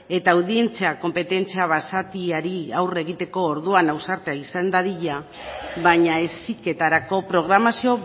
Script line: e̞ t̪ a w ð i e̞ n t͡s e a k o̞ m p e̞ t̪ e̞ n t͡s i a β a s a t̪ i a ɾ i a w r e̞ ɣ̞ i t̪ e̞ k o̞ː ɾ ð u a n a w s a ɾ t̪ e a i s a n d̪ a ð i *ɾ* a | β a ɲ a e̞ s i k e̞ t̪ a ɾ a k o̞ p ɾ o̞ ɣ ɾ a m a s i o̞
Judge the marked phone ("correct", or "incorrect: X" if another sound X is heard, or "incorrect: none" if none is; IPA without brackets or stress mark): incorrect: ʎ